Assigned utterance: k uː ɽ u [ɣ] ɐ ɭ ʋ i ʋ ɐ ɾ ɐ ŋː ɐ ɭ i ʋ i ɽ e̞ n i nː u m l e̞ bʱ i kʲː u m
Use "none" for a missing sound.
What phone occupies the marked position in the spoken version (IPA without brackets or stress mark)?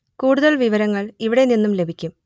ð